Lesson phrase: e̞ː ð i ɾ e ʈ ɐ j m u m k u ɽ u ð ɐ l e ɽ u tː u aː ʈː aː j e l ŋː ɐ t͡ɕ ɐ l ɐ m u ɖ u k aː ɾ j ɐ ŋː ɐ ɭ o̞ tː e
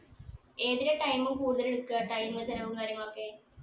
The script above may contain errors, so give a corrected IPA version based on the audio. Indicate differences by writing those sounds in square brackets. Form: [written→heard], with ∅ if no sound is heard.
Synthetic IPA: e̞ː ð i ɾ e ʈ ɐ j m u m k [u→uː] ɽ u ð ɐ l e ɽ u [tː→kː] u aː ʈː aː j [e→i] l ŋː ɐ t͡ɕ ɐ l ɐ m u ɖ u k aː ɾ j ɐ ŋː ɐ ɭ o̞ [tː→kː] e